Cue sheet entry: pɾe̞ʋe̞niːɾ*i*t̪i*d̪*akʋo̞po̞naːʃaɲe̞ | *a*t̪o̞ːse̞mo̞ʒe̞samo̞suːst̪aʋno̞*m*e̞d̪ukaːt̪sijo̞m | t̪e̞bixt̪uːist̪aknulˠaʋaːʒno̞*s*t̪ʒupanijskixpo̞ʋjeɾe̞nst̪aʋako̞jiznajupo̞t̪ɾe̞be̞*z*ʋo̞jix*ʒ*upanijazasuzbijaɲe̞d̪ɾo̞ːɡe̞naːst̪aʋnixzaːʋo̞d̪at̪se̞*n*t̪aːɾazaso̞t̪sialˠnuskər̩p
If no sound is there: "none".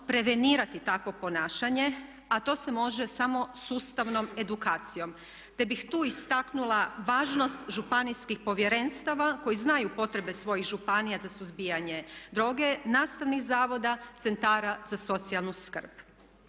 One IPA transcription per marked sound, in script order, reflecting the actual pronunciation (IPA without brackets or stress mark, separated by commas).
a, t̪, a, m, s, s, ʒ, n